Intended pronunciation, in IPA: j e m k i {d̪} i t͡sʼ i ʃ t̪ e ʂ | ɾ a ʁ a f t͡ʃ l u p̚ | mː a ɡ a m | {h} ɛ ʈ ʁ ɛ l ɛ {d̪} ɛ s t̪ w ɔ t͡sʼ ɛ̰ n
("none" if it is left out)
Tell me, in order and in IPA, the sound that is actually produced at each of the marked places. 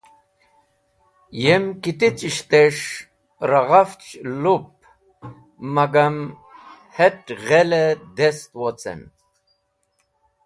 t̪, h, d̪

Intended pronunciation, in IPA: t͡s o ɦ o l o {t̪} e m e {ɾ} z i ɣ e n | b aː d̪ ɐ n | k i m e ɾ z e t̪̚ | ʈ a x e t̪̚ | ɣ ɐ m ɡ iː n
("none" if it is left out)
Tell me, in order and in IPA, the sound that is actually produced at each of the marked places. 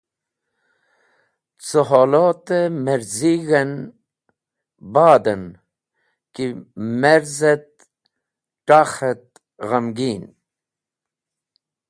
t̪, ɾ

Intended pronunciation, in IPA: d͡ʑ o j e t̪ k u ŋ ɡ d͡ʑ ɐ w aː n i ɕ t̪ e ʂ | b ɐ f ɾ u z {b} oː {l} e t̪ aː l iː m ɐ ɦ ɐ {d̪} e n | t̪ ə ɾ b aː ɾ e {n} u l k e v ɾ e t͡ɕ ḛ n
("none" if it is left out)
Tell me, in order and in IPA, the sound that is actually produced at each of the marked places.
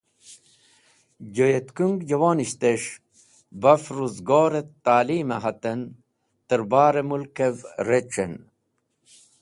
ɡ, ɾ, t̪, m

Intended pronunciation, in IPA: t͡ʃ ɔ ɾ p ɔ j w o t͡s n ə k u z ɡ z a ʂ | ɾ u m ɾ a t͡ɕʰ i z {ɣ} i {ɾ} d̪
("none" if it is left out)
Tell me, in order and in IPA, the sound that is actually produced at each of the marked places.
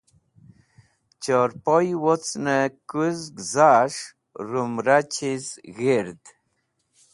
ɣ, ɾ

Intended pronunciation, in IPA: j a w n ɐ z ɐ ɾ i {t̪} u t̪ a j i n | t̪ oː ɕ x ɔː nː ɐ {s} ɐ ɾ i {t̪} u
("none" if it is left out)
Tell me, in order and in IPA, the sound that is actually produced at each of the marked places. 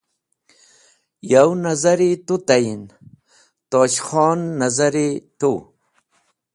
t̪, z, t̪

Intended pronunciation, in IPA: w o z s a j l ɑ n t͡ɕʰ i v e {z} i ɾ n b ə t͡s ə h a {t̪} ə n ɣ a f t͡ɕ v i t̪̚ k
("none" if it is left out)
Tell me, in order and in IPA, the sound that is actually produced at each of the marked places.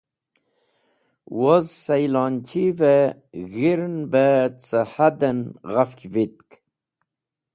ɣ, d̪

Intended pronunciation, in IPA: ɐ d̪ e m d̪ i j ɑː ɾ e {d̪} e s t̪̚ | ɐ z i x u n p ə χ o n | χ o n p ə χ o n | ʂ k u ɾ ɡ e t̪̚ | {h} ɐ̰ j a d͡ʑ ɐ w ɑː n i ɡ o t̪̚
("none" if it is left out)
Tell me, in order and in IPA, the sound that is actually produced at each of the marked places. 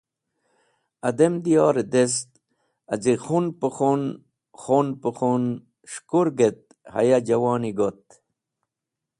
d̪, h

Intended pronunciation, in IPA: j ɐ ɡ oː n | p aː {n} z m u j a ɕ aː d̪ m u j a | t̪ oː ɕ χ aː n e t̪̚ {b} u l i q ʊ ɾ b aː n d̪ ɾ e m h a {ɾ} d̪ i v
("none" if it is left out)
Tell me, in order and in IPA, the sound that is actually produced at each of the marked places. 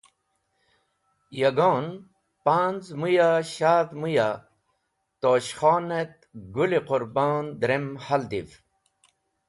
n, ɡ, l

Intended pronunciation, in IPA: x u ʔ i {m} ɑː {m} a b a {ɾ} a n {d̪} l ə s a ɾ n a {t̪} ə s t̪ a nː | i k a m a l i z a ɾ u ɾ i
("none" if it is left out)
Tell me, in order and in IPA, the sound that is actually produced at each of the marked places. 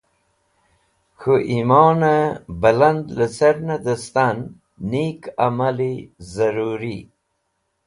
m, n, l, d̪, d̪

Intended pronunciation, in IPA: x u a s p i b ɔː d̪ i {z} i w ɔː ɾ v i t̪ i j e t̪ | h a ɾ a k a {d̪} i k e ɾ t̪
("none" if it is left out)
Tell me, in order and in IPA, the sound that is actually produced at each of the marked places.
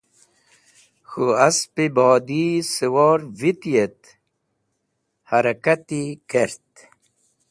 s, t̪

